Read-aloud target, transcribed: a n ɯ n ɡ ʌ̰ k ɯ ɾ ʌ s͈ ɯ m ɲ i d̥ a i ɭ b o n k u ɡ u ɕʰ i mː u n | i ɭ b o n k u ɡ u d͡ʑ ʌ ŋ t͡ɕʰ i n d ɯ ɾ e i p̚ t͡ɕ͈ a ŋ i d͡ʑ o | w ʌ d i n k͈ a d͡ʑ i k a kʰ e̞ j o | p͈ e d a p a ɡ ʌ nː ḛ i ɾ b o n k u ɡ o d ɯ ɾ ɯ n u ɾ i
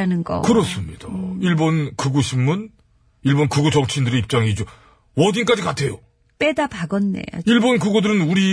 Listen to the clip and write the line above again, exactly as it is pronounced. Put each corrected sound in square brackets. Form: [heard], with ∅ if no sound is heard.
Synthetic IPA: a n ɯ n ɡ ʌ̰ k ɯ ɾ ʌ s͈ ɯ m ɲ i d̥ a i ɭ b o n k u ɡ u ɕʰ i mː u n | i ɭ b o n k u ɡ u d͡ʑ ʌ ŋ t͡ɕʰ i n d ɯ ɾ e i p̚ t͡ɕ͈ a ŋ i d͡ʑ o | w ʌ d i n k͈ a d͡ʑ i k a [tʰ] e̞ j o | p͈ e d a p a ɡ ʌ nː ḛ i [ɭ] b o n k u ɡ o d ɯ ɾ ɯ n u ɾ i